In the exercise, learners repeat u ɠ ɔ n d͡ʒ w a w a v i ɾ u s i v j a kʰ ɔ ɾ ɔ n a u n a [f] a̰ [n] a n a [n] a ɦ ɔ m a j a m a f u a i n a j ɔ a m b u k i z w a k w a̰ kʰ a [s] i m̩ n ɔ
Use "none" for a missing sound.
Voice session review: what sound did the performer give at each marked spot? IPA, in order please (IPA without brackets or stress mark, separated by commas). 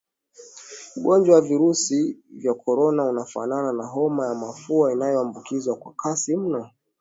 f, n, n, s